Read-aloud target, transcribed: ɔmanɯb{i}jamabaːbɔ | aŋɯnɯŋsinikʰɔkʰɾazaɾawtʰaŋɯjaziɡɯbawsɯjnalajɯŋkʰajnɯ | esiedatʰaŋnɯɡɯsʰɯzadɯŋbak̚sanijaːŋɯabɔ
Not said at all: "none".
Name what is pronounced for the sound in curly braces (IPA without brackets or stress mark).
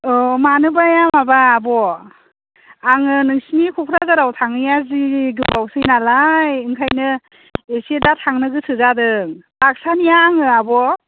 a